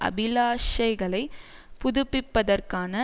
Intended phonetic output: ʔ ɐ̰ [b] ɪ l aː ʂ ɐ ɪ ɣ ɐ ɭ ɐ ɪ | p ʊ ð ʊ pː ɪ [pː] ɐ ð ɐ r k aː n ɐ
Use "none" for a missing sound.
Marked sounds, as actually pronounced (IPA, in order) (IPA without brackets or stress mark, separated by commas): b, pː